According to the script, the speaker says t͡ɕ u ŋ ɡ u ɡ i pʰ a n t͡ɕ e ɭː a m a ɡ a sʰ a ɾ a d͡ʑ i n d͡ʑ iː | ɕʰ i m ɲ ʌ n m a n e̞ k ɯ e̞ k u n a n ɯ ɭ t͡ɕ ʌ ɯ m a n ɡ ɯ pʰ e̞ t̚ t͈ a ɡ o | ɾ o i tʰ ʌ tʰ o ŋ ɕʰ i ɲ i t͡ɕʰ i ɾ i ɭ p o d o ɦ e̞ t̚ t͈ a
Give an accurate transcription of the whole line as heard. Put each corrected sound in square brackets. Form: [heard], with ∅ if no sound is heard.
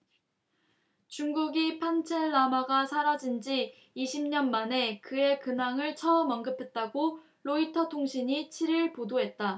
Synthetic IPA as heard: t͡ɕ u ŋ ɡ u ɡ i pʰ a n [t͡ɕʰ] e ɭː a m a ɡ a sʰ a ɾ a d͡ʑ i n d͡ʑ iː | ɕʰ i m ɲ ʌ n m a n e̞ k ɯ e̞ k [ɯ] n a [ŋ] ɯ ɭ [t͡ɕʰ] ʌ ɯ m [ʌ] n ɡ ɯ pʰ e̞ t̚ t͈ a ɡ o | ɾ o i tʰ ʌ tʰ o ŋ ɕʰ i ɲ i t͡ɕʰ i ɾ i ɭ p o d o ɦ e̞ t̚ t͈ a